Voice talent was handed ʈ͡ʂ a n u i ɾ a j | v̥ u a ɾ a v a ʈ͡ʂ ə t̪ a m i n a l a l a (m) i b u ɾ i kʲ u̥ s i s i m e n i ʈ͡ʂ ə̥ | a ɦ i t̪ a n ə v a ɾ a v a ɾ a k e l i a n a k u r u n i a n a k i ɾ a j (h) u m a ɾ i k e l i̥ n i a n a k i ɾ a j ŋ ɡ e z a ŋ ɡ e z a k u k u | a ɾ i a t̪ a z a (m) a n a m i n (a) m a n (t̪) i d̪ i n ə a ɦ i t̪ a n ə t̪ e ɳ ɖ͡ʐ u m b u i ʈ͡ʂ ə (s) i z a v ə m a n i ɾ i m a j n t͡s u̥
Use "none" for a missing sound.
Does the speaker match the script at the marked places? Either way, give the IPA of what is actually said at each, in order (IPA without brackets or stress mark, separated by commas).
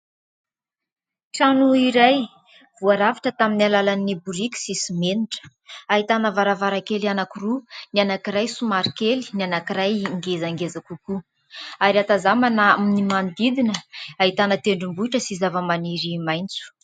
n, s, m, i, d̪, s